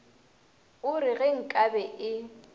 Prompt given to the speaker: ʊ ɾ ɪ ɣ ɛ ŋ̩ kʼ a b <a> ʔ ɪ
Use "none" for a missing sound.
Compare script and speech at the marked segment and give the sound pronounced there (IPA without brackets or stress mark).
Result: ɛ